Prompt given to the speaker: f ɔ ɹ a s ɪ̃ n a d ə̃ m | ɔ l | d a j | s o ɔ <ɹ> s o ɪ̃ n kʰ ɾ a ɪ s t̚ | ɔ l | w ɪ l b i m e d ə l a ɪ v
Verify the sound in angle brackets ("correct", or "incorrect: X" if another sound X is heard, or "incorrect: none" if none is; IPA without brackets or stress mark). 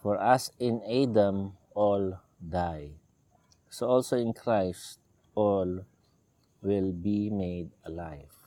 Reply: incorrect: l